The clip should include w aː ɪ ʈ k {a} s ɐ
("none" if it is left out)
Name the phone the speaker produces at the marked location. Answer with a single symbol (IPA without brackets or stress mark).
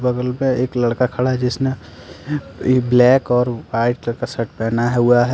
a